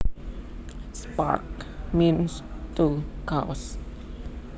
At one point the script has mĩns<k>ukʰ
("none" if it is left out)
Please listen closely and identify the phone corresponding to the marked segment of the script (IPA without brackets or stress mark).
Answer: t